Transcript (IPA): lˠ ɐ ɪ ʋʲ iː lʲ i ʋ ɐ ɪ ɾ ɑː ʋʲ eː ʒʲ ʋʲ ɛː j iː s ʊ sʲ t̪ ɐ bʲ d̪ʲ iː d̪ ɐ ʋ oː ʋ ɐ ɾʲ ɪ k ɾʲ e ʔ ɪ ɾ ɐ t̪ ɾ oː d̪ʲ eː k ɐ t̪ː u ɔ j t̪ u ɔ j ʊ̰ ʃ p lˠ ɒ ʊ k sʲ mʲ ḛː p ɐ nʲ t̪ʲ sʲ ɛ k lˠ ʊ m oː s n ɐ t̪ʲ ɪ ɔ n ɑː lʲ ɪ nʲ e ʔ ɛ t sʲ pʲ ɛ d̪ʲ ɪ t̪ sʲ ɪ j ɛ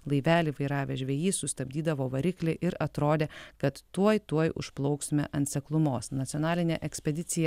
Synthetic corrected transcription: lˠ ɐ ɪ ʋʲ æː lʲ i ʋ ɐ ɪ ɾ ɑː ʋʲ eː ʒʲ ʋʲ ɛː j iː s ʊ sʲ t̪ ɐ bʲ d̪ʲ iː d̪ ɐ ʋ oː ʋ ɐ ɾʲ ɪ k lʲ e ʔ ɪ ɾ ɐ t̪ ɾ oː d̪ʲ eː k ɐ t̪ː u ɔ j t̪ u ɔ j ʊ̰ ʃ p lˠ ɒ ʊ k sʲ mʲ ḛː ʔ ɐ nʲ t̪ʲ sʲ ɛ k lˠ ʊ m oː s n ɐ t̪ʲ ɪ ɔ n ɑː lʲ ɪ nʲ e ʔ ɛ k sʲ pʲ ɛ d̪ʲ ɪ t̪ sʲ ɪ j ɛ